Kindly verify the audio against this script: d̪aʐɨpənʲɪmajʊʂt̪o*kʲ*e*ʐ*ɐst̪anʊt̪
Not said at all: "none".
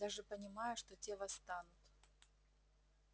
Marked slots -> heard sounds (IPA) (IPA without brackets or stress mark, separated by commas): tʲ, v